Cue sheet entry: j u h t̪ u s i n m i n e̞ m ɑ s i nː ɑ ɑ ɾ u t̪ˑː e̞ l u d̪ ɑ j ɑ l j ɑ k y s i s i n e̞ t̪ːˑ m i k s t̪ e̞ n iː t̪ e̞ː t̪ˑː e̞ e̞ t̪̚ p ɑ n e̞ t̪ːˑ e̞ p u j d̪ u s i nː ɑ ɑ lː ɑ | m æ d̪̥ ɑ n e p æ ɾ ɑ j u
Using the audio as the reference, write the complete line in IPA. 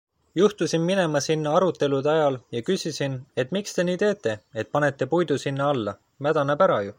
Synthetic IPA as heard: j u h t̪ u s i n m i n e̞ m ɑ s i nː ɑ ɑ ɾ u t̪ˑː e̞ l u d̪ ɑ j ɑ l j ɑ k y s i s i n e̞ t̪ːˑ m i k s t̪ e̞ n iː t̪ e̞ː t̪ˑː e̞ e̞ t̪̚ p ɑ n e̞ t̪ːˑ e̞ p u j d̪ u s i nː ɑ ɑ lː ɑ | m æ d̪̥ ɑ n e p æ ɾ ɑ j u